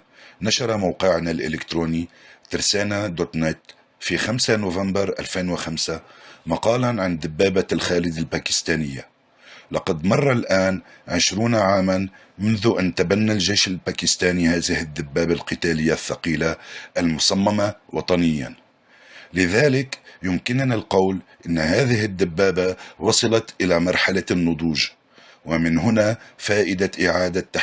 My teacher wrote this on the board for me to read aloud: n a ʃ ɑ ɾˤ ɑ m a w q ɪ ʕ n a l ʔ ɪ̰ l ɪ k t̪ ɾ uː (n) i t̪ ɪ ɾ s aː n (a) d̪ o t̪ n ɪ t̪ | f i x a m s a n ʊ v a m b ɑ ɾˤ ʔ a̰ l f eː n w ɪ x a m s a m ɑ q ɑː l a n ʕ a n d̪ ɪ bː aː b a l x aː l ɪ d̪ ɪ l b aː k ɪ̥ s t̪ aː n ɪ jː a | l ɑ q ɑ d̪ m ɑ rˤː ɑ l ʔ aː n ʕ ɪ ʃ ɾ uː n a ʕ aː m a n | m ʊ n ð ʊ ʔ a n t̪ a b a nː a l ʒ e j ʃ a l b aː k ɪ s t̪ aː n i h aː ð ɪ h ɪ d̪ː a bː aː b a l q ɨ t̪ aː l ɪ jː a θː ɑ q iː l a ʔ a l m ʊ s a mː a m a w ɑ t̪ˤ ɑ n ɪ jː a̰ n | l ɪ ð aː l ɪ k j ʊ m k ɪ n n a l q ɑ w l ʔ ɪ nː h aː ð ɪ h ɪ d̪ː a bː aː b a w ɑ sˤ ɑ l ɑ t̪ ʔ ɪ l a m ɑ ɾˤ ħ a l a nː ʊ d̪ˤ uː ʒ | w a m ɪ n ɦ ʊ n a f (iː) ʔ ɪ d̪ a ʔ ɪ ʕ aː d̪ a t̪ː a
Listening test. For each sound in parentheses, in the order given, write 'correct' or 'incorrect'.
correct, correct, incorrect: aː

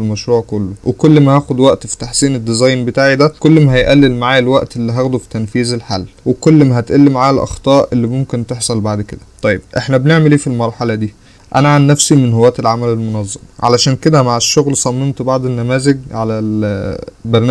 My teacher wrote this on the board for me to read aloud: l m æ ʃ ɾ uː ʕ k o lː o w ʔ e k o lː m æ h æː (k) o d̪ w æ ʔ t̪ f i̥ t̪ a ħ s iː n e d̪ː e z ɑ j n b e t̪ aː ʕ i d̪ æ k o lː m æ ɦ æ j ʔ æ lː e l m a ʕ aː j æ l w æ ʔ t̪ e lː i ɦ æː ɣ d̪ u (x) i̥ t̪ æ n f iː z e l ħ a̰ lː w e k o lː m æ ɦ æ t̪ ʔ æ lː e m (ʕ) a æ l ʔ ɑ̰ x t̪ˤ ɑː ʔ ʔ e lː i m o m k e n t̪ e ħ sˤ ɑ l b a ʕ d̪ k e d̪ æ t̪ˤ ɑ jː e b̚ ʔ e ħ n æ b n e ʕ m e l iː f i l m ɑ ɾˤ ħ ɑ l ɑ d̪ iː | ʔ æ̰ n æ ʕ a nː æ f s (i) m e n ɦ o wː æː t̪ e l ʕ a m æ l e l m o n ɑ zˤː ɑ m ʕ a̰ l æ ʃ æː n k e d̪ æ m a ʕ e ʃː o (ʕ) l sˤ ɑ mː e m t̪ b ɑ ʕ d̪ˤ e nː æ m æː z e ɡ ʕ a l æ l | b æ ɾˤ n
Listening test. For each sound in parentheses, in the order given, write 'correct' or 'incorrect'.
incorrect: x, incorrect: f, correct, correct, incorrect: ɣ

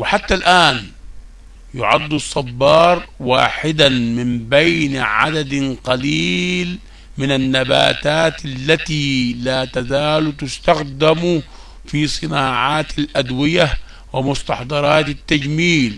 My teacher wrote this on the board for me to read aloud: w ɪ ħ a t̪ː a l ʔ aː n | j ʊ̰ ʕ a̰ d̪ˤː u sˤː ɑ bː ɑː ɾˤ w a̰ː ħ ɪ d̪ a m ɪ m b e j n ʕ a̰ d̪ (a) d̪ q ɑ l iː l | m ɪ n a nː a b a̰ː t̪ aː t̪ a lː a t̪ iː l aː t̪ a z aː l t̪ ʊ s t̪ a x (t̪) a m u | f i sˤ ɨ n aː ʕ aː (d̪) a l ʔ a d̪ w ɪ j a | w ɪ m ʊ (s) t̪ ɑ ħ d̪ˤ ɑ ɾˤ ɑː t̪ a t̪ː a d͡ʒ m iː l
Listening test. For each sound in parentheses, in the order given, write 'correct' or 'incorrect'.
correct, incorrect: d̪, incorrect: t̪, correct

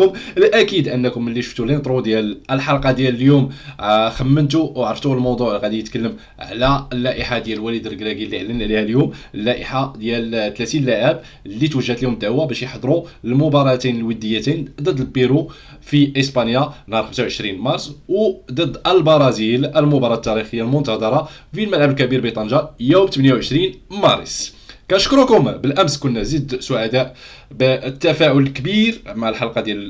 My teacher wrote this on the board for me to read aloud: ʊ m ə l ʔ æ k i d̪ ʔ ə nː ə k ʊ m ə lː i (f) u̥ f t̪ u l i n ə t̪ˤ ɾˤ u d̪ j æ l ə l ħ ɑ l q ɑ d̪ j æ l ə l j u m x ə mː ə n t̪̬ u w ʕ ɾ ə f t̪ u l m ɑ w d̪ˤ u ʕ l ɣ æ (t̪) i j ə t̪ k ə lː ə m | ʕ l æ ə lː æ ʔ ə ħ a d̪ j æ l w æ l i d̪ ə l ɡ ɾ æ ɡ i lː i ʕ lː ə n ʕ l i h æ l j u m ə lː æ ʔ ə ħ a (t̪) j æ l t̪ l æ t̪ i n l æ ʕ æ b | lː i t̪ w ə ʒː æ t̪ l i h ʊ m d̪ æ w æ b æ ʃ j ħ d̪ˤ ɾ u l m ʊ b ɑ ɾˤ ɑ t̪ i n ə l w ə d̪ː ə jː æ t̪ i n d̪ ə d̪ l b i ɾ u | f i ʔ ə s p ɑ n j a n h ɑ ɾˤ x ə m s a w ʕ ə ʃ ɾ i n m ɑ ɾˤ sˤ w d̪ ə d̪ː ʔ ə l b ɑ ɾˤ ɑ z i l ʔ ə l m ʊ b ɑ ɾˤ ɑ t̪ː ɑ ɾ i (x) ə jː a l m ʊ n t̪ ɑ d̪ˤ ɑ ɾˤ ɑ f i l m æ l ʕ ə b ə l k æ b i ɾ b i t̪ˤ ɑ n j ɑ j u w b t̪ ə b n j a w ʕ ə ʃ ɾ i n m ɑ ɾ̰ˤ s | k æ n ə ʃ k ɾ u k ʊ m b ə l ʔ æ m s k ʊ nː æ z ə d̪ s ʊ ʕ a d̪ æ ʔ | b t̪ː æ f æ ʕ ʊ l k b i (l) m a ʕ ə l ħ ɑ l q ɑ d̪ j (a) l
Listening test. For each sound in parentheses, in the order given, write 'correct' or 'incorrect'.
incorrect: ʃ, incorrect: d̪, incorrect: d̪, correct, incorrect: ɾ, incorrect: æ

